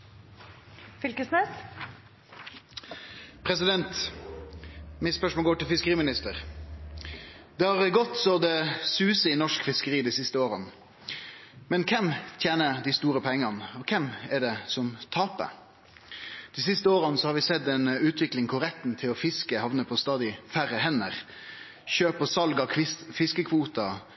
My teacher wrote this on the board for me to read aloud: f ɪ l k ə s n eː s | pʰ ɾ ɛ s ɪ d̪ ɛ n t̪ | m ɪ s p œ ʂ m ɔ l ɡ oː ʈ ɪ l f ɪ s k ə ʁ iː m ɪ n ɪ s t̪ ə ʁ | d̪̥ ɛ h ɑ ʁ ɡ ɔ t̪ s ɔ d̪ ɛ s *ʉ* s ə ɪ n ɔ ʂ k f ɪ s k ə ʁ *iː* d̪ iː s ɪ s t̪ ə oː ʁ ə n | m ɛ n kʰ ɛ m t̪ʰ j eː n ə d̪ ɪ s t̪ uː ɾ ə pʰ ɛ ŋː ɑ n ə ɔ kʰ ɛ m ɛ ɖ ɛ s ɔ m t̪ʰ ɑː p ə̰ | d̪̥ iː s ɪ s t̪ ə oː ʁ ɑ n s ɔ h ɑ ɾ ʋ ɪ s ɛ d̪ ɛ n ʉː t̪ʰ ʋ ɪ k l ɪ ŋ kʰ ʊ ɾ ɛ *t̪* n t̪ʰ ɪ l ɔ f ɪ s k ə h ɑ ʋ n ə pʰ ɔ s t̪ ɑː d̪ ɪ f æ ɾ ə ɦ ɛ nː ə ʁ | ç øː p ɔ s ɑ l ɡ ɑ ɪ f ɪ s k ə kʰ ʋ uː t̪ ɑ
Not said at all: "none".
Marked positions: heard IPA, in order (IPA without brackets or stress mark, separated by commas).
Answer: ʉː, iː, t̪